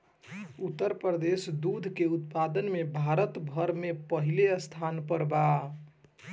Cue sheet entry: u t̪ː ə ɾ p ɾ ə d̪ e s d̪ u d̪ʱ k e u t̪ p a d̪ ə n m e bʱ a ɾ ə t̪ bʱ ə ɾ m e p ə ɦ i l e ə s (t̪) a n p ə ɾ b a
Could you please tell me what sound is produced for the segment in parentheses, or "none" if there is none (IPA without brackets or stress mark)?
t̪ʰ